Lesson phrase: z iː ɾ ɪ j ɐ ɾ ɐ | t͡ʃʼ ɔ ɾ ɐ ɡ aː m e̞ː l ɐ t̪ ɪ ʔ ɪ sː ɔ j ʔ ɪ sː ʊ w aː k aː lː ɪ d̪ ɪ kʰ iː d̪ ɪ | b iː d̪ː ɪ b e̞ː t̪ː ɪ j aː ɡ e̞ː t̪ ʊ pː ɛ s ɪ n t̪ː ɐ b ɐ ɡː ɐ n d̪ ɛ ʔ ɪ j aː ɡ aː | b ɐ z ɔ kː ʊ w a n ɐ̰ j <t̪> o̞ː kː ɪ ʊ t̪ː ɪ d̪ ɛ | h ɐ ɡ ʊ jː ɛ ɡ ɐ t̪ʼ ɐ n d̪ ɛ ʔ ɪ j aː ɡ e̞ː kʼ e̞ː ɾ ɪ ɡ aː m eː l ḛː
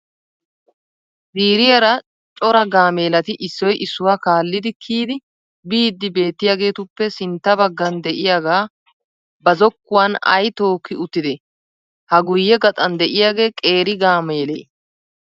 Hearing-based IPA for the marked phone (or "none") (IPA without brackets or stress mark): t̪